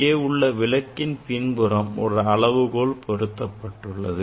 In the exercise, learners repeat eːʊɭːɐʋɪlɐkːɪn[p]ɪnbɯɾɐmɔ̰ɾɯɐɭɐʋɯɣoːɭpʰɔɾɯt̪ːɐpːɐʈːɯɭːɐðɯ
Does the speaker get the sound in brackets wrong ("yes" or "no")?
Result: no